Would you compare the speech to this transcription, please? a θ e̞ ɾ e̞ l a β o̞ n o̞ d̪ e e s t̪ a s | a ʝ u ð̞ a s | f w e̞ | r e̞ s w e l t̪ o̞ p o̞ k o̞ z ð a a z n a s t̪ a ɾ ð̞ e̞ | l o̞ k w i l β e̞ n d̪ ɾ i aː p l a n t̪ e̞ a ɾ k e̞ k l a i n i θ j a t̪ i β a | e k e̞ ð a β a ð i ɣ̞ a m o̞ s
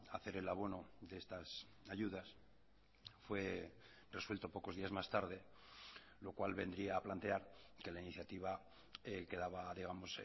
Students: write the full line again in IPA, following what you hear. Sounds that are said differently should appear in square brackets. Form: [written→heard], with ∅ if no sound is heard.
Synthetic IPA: a θ e̞ ɾ e̞ l a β o̞ n o̞ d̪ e e s t̪ a s | a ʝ u ð̞ a s | f w e̞ | r e̞ s w e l t̪ o̞ p o̞ k o̞ z ð [a→i] a z [n→m] a s t̪ a ɾ ð̞ e̞ | l o̞ k w [i→a] l β e̞ n d̪ ɾ i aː p l a n t̪ e̞ a ɾ k e̞ [k→∅] l a i n i θ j a t̪ i β a | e k e̞ ð a β a ð i ɣ̞ a m o̞ s